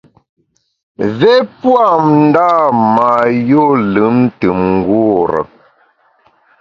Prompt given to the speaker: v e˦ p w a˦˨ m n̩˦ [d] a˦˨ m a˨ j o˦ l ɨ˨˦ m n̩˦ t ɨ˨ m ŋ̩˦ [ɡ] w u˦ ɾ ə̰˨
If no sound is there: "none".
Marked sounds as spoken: d, ɡ

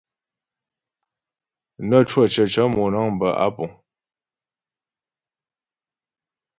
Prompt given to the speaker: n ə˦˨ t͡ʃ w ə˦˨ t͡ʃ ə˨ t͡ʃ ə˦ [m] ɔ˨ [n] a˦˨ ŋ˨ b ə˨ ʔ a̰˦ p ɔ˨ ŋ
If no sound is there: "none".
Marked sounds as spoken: m, n

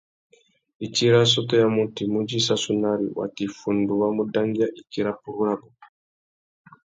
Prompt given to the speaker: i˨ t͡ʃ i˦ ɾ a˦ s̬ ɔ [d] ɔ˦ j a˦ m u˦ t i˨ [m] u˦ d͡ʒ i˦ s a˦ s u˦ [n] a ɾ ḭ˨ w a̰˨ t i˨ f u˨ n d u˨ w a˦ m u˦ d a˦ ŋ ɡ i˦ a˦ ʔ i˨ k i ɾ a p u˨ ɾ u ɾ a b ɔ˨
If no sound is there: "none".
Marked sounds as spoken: t, m, n

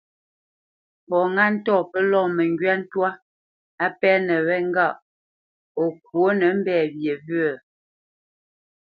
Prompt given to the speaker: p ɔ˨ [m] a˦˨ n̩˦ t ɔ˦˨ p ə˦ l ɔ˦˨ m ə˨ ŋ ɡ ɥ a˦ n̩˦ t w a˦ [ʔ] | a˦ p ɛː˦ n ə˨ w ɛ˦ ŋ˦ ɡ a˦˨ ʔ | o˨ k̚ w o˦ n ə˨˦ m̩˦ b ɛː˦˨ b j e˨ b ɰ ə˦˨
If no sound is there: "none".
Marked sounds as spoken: ŋ, none

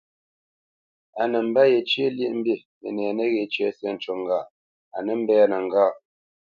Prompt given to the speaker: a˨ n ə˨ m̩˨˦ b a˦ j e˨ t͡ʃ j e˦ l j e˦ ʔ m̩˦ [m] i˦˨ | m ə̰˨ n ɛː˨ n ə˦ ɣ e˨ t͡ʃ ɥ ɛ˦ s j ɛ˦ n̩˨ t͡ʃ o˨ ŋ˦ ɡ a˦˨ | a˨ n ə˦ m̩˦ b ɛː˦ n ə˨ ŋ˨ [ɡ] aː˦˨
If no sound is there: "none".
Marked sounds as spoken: b, ɡ

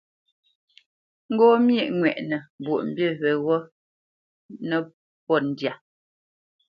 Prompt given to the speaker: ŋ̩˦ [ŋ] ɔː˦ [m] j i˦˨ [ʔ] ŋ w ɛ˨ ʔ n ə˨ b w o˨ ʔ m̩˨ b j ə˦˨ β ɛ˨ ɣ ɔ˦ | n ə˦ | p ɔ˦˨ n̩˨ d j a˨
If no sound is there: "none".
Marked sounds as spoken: ɡ, m, ʔ

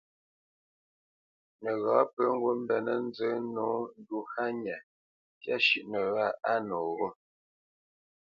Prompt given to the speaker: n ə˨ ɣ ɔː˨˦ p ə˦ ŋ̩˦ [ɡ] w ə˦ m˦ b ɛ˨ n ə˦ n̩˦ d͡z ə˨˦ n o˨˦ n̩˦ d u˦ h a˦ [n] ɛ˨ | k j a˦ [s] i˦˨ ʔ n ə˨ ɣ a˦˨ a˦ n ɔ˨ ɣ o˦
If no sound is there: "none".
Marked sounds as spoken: ɡ, ɲ, ʃ

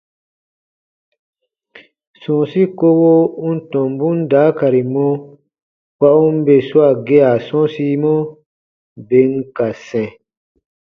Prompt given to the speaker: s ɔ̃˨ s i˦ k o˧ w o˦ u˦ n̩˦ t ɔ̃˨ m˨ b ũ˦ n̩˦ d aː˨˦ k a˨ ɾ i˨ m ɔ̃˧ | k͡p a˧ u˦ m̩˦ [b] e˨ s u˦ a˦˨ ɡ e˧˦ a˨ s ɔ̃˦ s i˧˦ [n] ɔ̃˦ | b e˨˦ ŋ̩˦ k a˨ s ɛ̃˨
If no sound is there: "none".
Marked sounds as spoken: b, m

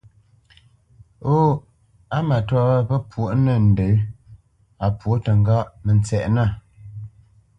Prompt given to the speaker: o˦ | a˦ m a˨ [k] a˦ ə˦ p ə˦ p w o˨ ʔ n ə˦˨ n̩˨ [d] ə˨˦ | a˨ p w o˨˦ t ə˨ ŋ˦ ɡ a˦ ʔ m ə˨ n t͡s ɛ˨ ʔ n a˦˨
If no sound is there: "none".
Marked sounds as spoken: t, d

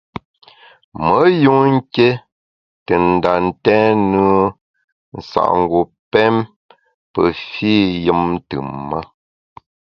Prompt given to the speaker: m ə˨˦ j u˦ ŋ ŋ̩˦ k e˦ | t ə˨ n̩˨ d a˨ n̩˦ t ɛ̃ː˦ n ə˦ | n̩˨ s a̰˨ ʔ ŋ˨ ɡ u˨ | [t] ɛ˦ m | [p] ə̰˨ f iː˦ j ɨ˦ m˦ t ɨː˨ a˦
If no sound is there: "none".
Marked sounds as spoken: p, p

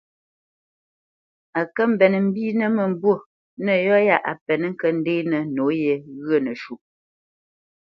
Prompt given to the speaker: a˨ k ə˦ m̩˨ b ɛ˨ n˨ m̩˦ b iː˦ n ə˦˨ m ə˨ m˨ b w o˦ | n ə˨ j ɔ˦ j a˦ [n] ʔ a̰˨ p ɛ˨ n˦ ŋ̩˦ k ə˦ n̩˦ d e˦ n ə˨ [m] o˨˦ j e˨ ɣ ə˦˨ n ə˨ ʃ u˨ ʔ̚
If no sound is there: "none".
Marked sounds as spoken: none, n

